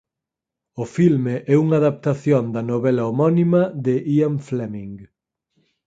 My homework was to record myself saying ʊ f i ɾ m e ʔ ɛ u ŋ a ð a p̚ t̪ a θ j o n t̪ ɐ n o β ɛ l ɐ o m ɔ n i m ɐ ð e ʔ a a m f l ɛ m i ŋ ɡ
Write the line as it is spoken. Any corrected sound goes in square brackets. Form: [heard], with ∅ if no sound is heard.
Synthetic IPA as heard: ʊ f i [l] m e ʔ ɛ u ŋ a ð a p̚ t̪ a θ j o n [d̪] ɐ n o β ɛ l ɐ o m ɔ n i m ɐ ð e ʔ [i] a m f l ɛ m i ŋ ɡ

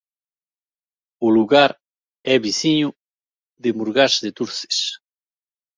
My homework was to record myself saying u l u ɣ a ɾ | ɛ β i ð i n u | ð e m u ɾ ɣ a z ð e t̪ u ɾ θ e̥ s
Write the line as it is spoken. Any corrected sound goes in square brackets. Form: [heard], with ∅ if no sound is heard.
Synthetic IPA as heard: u l u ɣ a ɾ | ɛ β i [θ] i [ɲ] u | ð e m u ɾ ɣ a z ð e t̪ u ɾ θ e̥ s

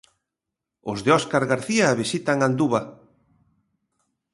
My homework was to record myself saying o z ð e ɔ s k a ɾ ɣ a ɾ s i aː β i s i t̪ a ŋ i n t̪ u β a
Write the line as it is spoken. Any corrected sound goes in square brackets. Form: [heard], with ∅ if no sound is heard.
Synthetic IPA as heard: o z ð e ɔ s k a ɾ ɣ a ɾ [θ] i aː β i s i t̪ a ŋ [a] n [d̪] u β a

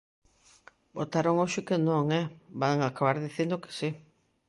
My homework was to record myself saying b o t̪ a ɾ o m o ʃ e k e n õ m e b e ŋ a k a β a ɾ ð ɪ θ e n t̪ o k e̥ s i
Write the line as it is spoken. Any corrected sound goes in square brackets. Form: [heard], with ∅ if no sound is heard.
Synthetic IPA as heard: b o t̪ a ɾ o [ŋ] o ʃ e k e n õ [ŋ] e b [a] ŋ a k a β a ɾ ð [i] θ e n [d̪] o k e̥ s i

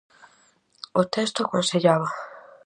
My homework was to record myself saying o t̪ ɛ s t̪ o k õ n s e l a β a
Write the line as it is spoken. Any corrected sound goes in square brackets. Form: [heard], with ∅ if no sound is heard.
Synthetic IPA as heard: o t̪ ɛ s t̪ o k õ n s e [ʎ] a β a

